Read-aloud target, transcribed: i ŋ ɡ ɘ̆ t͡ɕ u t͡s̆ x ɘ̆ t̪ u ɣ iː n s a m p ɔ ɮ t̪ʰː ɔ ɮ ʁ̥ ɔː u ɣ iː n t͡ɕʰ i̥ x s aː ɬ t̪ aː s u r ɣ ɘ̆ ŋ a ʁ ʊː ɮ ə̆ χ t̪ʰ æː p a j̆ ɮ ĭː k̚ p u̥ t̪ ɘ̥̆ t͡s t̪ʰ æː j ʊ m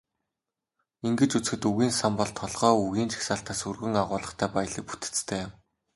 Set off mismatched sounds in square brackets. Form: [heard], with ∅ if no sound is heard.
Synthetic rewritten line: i ŋ ɡ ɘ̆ t͡ɕ u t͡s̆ x ɘ̆ t̪ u ɣ iː n s a m p ɔ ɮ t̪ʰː ɔ ɮ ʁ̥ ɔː u ɣ iː n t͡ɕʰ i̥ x s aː ɬ t̪ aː s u r ɣ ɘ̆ ŋ a ʁ ʊː ɮ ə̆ χ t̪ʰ æː p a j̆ ɮ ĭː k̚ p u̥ t̪ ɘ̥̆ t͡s t̪ʰ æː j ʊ m